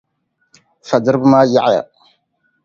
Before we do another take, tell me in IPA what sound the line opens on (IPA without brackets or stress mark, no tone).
f